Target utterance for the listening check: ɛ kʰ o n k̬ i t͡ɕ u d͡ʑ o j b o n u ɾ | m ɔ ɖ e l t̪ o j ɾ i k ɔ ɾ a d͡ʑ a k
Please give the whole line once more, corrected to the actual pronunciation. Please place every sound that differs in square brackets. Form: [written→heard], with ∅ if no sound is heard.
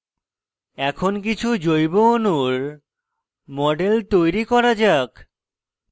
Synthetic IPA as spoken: ɛ kʰ o n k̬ i [t͡ɕ→t͡ɕʰ] u d͡ʑ o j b o n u ɾ | m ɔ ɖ e l t̪ o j ɾ i k ɔ ɾ a d͡ʑ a k